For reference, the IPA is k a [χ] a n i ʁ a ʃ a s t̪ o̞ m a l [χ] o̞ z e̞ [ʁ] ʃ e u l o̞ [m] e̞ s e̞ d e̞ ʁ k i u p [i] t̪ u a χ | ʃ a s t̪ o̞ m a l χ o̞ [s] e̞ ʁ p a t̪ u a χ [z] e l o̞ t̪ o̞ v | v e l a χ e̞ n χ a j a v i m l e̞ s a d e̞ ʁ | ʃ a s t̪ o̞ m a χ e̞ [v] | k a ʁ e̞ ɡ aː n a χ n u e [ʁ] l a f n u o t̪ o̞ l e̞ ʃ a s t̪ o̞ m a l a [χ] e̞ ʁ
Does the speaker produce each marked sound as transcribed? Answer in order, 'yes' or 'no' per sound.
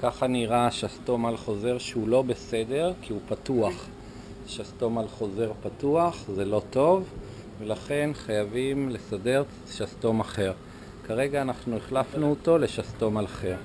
yes, yes, yes, no, no, no, yes, no, no, yes

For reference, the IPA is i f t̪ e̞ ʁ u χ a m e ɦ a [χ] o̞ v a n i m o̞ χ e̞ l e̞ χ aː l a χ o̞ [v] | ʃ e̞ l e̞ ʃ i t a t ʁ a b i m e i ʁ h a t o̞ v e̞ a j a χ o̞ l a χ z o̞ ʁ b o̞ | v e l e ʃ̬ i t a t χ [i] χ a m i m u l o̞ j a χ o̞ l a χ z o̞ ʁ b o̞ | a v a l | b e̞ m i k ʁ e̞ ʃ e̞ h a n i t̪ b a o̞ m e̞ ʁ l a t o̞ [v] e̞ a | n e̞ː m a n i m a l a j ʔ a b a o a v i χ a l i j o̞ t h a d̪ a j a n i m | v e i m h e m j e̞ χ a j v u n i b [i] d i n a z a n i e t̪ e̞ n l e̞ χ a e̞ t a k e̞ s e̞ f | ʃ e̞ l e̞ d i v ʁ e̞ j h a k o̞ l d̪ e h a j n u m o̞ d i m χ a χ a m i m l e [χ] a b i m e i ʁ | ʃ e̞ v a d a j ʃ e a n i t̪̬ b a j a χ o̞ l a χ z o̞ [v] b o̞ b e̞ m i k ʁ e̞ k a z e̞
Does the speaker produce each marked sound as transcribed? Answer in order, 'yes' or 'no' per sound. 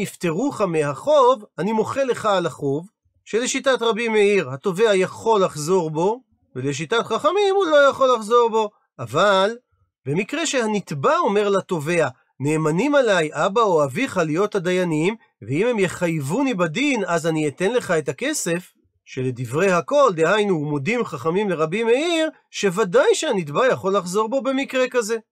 yes, yes, no, yes, no, no, no

